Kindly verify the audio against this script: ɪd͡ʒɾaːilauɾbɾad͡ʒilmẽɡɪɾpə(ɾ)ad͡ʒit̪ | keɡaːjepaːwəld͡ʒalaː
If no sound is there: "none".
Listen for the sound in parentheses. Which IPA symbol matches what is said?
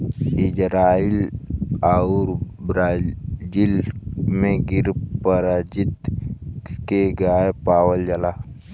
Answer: ɾ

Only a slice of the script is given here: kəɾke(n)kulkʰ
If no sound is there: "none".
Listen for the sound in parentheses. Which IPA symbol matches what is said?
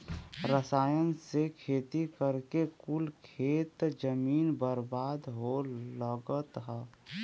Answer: none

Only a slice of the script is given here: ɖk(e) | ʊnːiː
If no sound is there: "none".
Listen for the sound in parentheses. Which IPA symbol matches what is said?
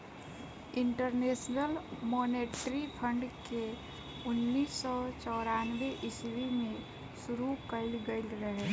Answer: e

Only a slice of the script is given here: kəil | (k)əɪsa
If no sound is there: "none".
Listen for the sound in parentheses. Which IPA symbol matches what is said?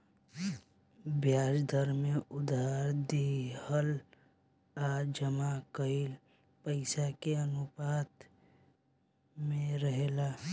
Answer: p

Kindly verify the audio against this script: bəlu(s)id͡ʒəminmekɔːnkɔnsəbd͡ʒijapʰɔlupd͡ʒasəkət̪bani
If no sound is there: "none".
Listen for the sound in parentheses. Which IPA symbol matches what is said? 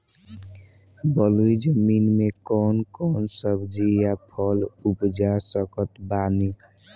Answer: none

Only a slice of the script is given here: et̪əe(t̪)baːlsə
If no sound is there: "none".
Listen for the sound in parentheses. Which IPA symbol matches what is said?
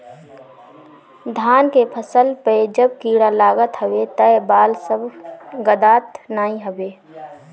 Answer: none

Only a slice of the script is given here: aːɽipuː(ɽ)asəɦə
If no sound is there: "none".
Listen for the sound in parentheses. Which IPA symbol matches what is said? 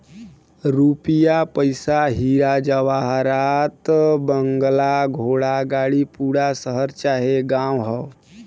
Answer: ɽ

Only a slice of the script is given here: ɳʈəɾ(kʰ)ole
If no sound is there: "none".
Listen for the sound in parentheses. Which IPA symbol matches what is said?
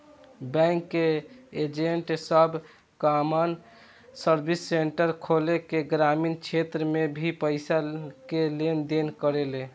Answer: kʰ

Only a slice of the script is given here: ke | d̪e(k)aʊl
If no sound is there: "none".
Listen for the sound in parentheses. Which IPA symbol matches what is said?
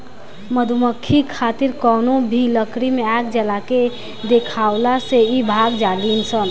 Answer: kʰ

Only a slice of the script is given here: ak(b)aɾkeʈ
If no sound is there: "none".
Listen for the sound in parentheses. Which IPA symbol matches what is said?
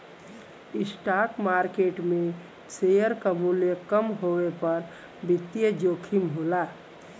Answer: m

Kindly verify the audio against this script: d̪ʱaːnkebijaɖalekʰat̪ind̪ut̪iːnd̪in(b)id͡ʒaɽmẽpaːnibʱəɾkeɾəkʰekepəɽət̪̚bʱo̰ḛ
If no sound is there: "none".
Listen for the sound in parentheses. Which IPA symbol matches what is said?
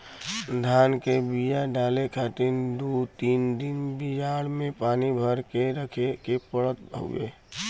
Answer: b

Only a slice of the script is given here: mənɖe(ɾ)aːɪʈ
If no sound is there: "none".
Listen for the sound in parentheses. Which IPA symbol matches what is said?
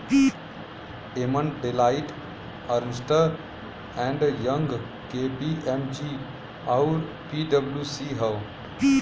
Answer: l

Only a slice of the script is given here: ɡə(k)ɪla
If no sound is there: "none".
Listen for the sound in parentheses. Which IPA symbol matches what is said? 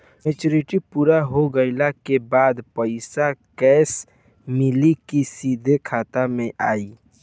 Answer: none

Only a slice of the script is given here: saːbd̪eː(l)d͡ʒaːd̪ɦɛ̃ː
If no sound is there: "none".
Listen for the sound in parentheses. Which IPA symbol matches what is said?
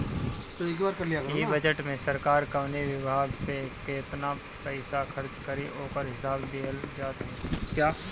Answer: l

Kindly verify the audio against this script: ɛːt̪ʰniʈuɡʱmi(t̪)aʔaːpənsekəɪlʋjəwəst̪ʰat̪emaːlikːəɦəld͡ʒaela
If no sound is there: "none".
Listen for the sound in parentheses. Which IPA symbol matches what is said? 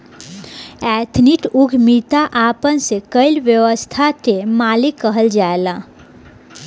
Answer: t̪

